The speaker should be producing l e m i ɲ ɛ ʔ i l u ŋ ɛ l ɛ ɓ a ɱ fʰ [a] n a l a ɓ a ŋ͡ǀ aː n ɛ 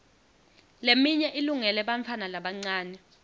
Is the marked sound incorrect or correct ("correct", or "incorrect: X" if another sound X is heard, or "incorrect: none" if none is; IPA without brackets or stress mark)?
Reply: correct